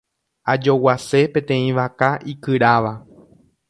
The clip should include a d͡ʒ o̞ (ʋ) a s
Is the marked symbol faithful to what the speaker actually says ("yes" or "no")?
no